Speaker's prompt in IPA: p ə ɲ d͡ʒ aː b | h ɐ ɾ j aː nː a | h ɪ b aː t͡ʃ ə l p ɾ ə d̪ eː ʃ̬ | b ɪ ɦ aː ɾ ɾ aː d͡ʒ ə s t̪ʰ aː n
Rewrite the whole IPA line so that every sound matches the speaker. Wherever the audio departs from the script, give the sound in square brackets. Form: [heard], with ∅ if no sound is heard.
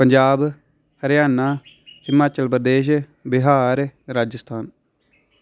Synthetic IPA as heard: p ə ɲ d͡ʒ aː b | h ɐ ɾ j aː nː a | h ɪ [m] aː t͡ʃ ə l p ɾ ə d̪ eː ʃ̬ | b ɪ ɦ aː ɾ ɾ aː d͡ʒ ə s t̪ʰ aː n

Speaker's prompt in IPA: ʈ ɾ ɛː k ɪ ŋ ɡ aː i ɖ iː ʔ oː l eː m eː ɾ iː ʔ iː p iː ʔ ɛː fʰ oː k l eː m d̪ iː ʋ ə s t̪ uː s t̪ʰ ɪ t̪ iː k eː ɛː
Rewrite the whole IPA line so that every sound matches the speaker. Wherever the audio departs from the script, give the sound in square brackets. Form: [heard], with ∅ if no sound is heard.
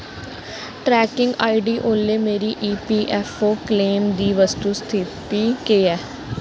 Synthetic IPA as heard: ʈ ɾ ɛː k ɪ ŋ ɡ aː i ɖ iː ʔ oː l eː m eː ɾ iː ʔ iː p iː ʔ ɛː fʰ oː k l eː m d̪ iː ʋ ə s t̪ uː s t̪ʰ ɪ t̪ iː k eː ɛː

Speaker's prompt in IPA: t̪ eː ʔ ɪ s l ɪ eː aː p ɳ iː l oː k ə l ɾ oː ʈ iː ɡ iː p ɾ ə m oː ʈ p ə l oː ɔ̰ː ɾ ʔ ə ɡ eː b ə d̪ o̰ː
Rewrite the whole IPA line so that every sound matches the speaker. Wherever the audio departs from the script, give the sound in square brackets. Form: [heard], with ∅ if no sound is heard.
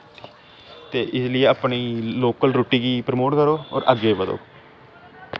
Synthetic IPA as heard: t̪ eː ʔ ɪ s l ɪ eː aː p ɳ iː l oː k ə l ɾ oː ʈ iː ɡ iː p ɾ ə m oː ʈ [k] ə [ɾ] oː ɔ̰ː ɾ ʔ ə ɡ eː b ə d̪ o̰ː

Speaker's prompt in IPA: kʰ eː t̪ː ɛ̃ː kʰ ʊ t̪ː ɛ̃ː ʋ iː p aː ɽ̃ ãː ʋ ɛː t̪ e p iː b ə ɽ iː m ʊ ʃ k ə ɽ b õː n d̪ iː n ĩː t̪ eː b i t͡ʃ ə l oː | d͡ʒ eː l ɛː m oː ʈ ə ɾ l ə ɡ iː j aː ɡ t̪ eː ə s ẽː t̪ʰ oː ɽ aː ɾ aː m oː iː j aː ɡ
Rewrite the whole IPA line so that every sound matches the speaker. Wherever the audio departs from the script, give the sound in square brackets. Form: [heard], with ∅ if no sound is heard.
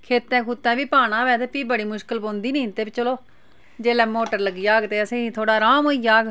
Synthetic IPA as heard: kʰ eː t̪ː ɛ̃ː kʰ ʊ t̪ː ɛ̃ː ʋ iː p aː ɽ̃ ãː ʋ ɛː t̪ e p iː b ə ɽ iː m ʊ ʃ k ə [l] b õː n d̪ iː n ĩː t̪ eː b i t͡ʃ ə l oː | d͡ʒ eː l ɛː m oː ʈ ə ɾ l ə ɡ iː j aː ɡ t̪ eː ə s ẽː t̪ʰ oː ɽ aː ɾ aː m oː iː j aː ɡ

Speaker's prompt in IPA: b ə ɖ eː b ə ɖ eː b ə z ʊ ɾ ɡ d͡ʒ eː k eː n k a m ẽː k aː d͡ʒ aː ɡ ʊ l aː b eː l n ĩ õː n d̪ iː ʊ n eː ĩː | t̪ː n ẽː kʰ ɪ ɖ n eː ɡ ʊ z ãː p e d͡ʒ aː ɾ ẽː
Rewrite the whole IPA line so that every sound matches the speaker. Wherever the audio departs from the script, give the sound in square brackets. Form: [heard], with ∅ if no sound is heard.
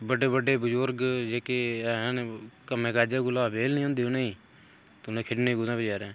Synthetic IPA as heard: b ə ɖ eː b ə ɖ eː b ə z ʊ ɾ ɡ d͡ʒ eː k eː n k [ə] m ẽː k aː d͡ʒ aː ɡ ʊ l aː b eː l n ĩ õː n d̪ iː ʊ n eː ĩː | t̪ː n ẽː kʰ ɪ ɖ n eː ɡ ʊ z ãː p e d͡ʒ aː ɾ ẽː

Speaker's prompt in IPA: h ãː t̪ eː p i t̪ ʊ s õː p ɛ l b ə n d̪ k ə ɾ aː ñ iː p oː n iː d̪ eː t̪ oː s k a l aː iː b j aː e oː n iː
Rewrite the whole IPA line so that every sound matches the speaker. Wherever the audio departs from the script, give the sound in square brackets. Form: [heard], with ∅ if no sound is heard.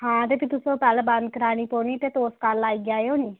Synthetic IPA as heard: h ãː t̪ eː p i t̪ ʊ s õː p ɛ l b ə n d̪ k ə ɾ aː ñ iː p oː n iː [t̪] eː t̪ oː s k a l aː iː [ɡ] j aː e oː n iː

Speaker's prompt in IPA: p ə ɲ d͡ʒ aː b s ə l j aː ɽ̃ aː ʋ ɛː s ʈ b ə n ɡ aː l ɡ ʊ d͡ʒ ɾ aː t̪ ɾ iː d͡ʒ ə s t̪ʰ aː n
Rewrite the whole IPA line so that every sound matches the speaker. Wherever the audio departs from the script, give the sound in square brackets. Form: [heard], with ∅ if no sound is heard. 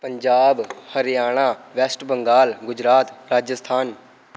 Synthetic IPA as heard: p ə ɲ d͡ʒ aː b [h] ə [ɾ] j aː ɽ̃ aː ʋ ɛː s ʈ b ə [ŋ] ɡ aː l ɡ ʊ d͡ʒ ɾ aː t̪ ɾ [aː] d͡ʒ ə s t̪ʰ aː n

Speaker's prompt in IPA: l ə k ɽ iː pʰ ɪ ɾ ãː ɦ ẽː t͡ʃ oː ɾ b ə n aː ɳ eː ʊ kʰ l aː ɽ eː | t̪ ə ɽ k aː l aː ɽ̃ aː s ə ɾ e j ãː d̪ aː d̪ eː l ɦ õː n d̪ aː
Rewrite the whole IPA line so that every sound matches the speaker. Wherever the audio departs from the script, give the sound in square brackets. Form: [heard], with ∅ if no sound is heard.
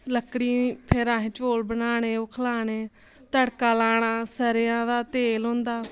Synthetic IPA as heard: l ə k ɽ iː pʰ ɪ ɾ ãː ɦ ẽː t͡ʃ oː [l] b ə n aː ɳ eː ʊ kʰ l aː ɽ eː | t̪ ə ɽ k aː l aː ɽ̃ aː s ə ɾ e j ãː d̪ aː [t̪] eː l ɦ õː n d̪ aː

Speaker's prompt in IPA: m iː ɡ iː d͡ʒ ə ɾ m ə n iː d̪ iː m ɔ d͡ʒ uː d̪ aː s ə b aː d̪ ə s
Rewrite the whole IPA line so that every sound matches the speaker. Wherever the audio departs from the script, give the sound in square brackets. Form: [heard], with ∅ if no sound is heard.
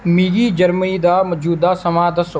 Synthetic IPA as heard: m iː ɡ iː d͡ʒ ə ɾ m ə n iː d̪ [aː] m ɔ d͡ʒ uː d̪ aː s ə [m] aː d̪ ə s

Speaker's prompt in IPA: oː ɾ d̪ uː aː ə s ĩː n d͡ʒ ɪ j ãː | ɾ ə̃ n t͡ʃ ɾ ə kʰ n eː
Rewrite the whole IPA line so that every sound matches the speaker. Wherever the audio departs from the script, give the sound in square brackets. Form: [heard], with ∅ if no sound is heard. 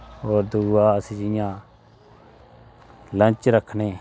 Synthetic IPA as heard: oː ɾ d̪ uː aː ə s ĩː [∅] d͡ʒ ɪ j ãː | [l] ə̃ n t͡ʃ ɾ ə kʰ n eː

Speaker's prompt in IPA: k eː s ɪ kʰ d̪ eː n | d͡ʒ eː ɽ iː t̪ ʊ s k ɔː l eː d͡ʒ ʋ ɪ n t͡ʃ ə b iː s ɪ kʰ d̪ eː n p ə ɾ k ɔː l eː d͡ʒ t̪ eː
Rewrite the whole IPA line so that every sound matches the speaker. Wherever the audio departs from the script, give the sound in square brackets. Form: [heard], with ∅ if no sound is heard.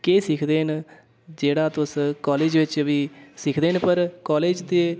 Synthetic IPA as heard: k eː s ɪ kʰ d̪ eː n | d͡ʒ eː ɽ [aː] t̪ ʊ s k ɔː l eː d͡ʒ ʋ ɪ [∅] t͡ʃ ə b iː s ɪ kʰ d̪ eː n p ə ɾ k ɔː l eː d͡ʒ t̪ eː

